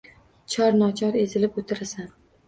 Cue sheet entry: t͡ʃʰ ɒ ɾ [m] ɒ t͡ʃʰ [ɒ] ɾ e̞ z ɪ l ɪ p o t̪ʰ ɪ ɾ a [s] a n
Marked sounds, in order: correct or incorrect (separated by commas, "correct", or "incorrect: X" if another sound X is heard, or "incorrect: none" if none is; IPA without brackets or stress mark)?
incorrect: n, correct, correct